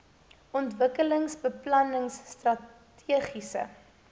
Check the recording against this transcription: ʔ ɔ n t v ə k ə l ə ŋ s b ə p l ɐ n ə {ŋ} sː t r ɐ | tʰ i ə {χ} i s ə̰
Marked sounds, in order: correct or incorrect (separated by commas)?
correct, correct